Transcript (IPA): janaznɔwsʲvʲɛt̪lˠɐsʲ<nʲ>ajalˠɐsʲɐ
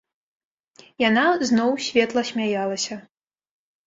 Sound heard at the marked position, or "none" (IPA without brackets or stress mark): mʲ